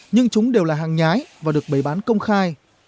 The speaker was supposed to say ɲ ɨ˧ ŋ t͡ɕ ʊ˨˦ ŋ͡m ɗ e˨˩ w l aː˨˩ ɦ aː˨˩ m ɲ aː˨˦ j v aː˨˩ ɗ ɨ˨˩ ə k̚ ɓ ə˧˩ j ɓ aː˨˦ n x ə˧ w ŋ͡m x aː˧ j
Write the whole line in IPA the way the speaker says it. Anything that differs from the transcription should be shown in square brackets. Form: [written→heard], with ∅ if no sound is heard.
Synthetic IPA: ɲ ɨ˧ ŋ t͡ɕ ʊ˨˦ ŋ͡m ɗ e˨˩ w l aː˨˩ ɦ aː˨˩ [m→ŋ] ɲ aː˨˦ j v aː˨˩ ɗ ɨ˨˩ ə k̚ ɓ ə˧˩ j ɓ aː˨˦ n [x→k] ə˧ w ŋ͡m x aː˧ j